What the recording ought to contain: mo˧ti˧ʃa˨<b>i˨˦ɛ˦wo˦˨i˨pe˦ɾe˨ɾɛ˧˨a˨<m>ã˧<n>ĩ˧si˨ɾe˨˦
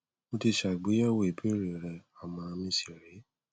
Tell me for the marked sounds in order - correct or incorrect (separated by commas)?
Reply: incorrect, correct, incorrect